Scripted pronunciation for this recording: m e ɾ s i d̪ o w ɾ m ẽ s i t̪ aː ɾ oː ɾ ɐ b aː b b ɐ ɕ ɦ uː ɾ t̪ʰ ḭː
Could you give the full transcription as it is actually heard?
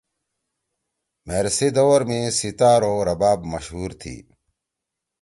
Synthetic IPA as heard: m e ɾ s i d̪ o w ɾ m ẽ s i t̪ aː ɾ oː ɾ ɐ b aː b m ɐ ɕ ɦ uː ɾ t̪ʰ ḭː